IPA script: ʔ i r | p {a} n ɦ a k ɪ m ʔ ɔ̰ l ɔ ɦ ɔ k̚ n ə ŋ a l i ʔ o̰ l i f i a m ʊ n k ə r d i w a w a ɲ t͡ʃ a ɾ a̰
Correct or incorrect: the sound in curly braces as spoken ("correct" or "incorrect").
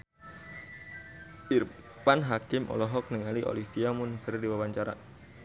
correct